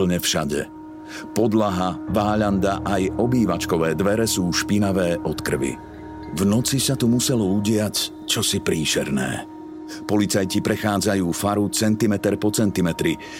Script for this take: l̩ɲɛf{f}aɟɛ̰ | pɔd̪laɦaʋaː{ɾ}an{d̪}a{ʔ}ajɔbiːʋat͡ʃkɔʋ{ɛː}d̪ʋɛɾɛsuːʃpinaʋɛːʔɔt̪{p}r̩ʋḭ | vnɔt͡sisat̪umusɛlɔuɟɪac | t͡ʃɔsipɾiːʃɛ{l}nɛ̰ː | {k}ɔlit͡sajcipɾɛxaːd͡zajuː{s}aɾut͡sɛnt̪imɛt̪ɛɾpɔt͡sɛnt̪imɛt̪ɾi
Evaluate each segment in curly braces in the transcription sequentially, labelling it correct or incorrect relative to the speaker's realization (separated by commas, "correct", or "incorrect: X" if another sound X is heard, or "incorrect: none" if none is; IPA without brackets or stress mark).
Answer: incorrect: ʃ, incorrect: ʎ, correct, correct, correct, incorrect: k, incorrect: ɾ, incorrect: p, incorrect: f